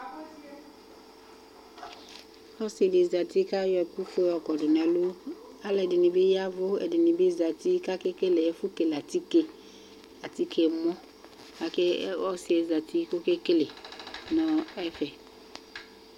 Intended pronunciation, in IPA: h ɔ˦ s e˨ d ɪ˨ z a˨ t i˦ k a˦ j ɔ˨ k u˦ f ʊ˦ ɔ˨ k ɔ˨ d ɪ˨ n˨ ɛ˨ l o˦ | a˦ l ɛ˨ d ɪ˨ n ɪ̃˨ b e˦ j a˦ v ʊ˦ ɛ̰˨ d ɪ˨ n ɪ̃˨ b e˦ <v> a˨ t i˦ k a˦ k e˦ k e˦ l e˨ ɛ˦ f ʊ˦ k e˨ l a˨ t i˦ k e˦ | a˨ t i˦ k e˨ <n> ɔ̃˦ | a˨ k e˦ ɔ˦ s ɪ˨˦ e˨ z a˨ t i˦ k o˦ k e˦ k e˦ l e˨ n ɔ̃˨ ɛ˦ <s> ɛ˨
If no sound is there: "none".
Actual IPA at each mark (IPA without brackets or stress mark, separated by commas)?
z, m, f